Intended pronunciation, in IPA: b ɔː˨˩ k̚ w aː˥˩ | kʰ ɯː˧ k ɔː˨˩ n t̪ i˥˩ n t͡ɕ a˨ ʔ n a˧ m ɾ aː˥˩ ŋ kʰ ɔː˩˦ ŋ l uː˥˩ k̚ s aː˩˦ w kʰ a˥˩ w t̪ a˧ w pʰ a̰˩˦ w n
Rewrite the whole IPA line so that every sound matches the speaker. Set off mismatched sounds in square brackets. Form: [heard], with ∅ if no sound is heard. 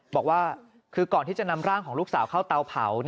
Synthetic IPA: b ɔː˨˩ k̚ w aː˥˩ | kʰ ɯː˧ k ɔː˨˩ n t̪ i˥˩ [∅] t͡ɕ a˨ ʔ n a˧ m ɾ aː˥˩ ŋ kʰ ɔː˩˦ ŋ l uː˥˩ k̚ s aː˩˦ w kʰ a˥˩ w t̪ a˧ w pʰ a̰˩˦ w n